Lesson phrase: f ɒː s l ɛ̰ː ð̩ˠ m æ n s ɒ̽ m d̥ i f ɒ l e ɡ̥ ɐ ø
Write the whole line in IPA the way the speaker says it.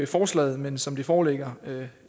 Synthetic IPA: f ɒː s l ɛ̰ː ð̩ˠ m e n s ɒ̽ m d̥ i f ɒː l e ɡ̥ ɐ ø